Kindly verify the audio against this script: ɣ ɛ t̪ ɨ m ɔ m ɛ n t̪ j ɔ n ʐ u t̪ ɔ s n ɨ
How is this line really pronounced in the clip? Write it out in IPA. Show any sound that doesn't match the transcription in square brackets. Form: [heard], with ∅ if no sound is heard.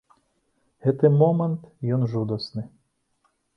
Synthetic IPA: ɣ ɛ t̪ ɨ m ɔ m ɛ n t̪ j ɔ n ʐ u [d̪] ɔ s n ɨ